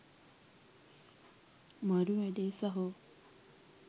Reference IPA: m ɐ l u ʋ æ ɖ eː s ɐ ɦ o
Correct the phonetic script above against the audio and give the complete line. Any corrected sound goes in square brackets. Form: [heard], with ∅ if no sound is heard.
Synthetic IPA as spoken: m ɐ [ɾ] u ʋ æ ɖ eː s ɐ ɦ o